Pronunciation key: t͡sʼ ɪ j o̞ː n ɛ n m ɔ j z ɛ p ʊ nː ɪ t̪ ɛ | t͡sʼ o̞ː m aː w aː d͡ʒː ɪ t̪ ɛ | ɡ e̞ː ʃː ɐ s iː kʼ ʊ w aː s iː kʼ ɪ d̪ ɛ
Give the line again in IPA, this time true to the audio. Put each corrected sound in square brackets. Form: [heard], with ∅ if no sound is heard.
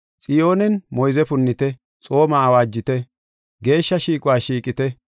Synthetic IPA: t͡sʼ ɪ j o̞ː n ɛ n m ɔ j z ɛ p ʊ nː ɪ t̪ ɛ | t͡sʼ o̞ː m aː w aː d͡ʒː ɪ t̪ ɛ | ɡ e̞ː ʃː ɐ [ʃ] iː kʼ ʊ w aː [ʃ] iː kʼ ɪ [t̪] ɛ